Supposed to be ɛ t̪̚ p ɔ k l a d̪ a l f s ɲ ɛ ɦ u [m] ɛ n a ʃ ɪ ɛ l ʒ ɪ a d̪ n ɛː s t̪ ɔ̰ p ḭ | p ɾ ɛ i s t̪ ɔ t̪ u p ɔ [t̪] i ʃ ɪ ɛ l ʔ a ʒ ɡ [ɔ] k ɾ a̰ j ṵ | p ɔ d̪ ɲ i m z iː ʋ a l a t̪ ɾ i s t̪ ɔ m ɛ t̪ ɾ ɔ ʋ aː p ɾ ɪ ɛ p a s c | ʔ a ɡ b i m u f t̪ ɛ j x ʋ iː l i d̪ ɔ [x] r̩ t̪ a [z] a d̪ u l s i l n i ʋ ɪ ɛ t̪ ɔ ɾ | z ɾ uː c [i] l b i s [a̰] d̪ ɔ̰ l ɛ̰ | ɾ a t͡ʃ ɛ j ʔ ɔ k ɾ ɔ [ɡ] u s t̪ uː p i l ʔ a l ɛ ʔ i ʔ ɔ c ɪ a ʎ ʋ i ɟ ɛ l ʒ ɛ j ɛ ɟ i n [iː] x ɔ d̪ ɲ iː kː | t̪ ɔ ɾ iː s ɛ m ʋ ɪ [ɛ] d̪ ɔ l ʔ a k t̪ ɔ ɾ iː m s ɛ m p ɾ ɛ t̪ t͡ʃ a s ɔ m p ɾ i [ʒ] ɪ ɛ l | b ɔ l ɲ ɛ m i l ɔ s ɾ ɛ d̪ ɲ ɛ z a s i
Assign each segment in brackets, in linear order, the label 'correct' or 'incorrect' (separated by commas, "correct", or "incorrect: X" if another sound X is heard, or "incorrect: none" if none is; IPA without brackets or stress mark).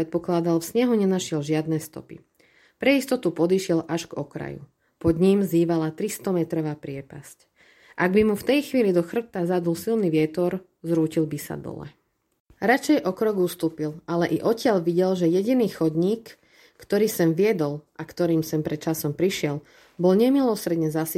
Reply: incorrect: ɲ, incorrect: d̪, correct, correct, correct, correct, correct, correct, correct, correct, incorrect: ʃ